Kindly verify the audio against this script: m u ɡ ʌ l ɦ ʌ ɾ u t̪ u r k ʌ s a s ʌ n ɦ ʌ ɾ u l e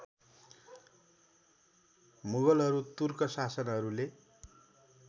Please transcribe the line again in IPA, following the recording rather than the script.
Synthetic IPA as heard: m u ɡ ʌ l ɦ ʌ ɾ u t̪ u r k ʌ s a s ʌ n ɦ ʌ ɾ u l e

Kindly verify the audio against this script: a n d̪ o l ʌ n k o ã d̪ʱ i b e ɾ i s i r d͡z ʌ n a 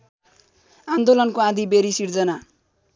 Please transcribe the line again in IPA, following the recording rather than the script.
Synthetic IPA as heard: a n d̪ o l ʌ n k o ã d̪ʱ i b e ɾ i s i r d͡z ʌ n a

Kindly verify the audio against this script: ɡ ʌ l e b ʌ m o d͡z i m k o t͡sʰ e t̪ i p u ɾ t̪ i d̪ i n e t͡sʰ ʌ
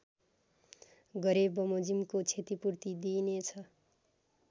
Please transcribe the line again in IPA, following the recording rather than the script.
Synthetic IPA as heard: ɡ ʌ ɾ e b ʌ m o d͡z i m k o t͡sʰ e t̪ i p u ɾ t̪ i d̪ i n e t͡sʰ ʌ

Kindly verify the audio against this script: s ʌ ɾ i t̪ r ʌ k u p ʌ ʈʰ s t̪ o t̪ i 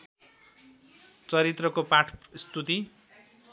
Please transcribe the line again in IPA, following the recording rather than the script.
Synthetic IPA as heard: t͡s ʌ ɾ i t̪ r ʌ k o p a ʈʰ s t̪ u t̪ i

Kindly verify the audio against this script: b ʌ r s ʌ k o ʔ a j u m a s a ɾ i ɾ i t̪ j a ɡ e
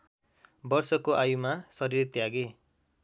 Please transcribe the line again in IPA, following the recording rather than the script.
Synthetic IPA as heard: b ʌ r s ʌ k o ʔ a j u m a s ʌ ɾ i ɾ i t̪ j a ɡ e

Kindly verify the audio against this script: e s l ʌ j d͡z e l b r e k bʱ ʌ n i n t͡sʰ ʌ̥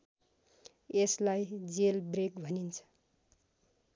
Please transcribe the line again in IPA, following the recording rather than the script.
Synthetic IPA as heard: e s l a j d͡z e l b r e k bʱ ʌ n i n t͡sʰ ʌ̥

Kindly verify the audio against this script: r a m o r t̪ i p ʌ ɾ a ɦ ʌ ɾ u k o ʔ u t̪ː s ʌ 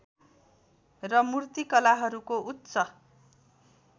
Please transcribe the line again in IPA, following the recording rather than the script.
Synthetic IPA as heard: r ʌ m u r t̪ i k ʌ l a ɦ ʌ ɾ u k o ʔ u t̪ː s ʌ

